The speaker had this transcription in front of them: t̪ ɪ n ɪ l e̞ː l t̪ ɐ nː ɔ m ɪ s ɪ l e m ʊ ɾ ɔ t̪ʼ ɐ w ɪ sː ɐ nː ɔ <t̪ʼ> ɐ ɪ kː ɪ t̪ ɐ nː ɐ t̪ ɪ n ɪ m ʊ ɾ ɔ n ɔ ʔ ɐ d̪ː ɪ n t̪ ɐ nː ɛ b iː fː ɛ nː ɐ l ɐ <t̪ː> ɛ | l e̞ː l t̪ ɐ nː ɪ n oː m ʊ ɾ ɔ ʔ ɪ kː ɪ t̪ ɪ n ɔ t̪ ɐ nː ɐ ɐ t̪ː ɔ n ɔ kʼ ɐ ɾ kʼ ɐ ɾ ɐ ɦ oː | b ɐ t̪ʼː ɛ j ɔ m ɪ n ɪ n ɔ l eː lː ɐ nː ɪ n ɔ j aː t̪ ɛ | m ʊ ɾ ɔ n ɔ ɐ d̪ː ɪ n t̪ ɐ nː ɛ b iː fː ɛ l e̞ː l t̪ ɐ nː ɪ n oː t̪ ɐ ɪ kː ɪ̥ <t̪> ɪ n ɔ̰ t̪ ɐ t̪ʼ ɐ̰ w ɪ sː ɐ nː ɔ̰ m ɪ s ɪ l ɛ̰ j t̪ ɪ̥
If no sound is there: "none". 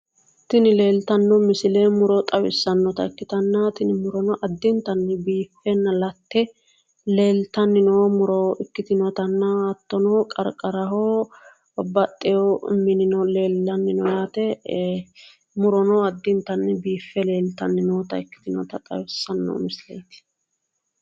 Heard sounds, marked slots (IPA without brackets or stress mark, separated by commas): t̪, t̪ː, t̪